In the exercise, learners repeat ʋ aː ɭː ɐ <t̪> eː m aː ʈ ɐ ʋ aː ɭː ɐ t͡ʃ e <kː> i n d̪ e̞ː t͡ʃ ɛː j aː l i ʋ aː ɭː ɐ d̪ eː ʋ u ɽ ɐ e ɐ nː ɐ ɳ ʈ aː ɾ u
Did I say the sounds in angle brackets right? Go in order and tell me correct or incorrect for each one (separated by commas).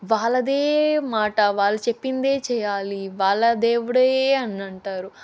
incorrect, incorrect